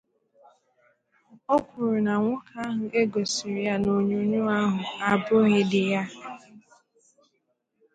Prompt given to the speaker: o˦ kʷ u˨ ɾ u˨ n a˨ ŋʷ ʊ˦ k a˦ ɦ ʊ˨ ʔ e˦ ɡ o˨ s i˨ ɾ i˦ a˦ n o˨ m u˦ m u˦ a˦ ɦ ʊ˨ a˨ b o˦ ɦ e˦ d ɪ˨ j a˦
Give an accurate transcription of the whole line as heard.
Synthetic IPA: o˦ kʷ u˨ ɾ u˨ n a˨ ŋʷ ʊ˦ k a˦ ɦ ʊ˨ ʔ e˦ ɡ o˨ s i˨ ɾ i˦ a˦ n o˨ ɲ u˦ ɲ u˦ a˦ ɦ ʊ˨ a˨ b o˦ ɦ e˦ d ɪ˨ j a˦